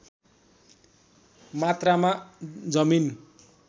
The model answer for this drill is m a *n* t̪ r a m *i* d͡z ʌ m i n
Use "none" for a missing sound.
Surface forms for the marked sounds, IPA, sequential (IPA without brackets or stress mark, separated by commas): none, a